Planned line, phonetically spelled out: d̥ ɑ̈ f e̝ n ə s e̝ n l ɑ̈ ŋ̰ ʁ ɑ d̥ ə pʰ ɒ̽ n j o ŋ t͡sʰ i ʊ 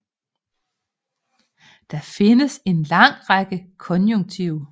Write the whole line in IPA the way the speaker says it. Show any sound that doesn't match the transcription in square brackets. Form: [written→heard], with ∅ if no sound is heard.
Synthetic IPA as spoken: d̥ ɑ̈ f e̝ n ə s e̝ n l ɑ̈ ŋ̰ ʁ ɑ [d̥→ɡ̥] ə [pʰ→kʰ] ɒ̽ n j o ŋ t͡sʰ i ʊ